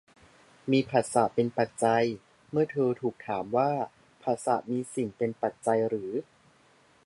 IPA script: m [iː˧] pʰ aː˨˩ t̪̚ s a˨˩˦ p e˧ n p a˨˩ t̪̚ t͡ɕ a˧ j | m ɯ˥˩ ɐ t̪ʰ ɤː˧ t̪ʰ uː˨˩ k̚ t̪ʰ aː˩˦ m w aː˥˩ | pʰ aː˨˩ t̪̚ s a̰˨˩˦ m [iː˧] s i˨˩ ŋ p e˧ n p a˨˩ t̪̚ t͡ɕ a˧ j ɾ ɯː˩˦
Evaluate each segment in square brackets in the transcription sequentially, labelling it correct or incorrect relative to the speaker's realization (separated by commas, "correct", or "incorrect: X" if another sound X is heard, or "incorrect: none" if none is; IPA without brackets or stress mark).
correct, correct